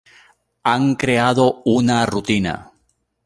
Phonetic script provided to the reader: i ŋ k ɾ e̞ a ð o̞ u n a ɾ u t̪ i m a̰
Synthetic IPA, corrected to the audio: a ŋ k ɾ e̞ a ð o̞ u n a r u t̪ i n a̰